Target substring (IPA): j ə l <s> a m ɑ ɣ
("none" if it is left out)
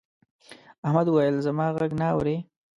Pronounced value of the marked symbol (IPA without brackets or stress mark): z